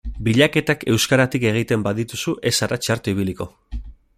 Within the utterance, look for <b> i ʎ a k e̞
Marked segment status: correct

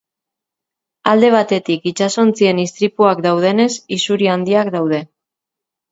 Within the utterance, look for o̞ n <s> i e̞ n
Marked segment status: incorrect: t͡s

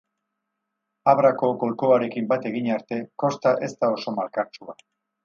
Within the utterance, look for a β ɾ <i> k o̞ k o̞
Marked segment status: incorrect: a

